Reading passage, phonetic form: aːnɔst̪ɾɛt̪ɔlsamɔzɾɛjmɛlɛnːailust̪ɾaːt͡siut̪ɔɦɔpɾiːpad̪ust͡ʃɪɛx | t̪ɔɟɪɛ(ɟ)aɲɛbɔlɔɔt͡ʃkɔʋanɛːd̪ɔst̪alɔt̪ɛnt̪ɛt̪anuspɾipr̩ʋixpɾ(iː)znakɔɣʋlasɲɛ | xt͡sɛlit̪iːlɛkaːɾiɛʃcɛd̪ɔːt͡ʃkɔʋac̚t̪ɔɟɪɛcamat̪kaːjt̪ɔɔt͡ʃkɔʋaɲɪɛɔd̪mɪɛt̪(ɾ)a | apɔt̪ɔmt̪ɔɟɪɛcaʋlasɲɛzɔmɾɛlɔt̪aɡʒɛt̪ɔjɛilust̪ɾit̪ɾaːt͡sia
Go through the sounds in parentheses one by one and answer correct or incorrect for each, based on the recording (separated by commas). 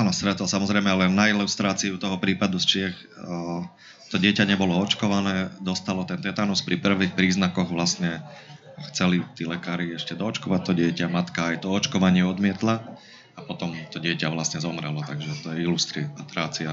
incorrect, correct, incorrect